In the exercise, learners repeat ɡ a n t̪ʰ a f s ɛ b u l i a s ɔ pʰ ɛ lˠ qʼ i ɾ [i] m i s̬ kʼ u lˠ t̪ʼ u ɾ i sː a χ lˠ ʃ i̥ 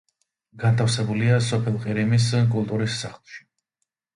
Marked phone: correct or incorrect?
correct